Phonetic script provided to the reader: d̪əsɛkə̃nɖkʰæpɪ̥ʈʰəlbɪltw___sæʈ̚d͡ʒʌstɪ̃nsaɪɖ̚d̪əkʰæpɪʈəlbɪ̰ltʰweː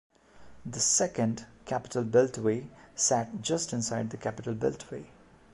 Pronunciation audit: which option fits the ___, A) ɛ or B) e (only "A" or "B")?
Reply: B